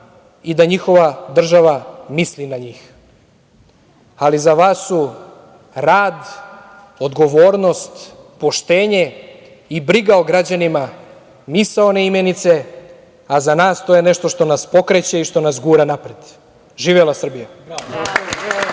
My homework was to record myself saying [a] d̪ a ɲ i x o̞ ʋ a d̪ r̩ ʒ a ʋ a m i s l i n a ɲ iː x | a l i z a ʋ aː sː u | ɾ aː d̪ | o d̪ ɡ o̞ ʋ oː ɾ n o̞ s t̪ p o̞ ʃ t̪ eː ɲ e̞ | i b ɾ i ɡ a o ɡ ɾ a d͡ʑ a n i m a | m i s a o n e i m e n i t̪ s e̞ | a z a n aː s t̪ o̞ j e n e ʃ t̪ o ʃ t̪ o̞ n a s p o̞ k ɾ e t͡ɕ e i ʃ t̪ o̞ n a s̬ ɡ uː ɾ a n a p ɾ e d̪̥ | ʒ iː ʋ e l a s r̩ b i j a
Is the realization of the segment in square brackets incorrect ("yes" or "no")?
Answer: yes